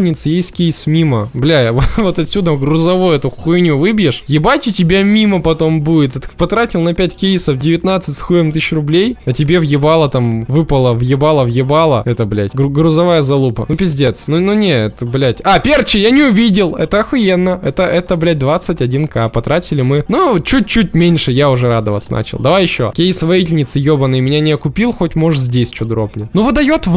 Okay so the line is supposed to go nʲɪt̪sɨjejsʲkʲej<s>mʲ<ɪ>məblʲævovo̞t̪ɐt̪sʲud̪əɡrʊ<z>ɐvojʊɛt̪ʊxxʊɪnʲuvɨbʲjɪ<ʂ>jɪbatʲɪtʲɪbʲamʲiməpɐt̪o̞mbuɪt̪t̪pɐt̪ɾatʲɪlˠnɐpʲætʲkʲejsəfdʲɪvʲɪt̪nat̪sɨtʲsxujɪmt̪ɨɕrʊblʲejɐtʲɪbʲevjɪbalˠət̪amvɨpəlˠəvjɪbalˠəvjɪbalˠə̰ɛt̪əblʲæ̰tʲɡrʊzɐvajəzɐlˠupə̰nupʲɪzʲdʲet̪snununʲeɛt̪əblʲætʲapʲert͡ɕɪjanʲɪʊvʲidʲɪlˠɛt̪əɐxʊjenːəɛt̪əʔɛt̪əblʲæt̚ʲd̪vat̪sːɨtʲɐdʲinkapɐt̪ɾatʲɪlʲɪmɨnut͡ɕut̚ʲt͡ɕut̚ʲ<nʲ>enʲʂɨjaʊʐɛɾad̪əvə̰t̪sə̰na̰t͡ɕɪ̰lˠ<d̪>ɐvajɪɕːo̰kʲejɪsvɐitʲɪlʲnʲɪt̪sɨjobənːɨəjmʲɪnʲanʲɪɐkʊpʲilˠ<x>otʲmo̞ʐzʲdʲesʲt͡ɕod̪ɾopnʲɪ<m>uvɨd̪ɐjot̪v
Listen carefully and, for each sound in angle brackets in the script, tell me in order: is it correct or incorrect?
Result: correct, incorrect, correct, correct, incorrect, correct, correct, incorrect

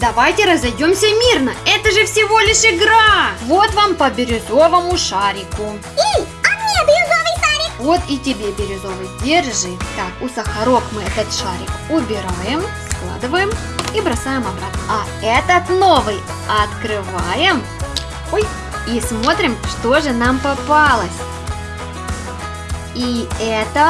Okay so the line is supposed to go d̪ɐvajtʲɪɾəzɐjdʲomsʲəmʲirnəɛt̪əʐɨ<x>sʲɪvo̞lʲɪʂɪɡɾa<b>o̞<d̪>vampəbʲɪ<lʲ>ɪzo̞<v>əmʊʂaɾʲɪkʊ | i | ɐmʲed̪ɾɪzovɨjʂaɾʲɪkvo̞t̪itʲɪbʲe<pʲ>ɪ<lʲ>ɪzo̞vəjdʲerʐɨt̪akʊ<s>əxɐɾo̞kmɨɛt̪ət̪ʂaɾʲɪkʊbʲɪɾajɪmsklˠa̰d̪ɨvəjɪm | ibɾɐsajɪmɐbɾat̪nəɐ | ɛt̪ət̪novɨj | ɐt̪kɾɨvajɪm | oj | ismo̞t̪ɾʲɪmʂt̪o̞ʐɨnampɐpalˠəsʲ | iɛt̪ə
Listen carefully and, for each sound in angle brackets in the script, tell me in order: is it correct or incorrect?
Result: incorrect, incorrect, incorrect, incorrect, correct, incorrect, incorrect, correct

